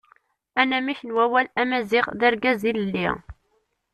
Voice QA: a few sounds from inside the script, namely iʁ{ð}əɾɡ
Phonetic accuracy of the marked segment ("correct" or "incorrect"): correct